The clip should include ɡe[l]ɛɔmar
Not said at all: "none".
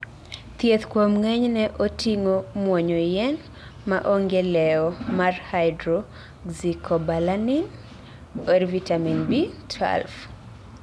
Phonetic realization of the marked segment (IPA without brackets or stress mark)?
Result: l